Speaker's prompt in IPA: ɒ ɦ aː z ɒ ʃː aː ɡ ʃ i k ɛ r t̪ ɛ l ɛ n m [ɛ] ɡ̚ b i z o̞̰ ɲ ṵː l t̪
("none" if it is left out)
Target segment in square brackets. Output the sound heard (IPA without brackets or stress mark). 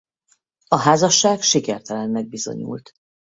ɛ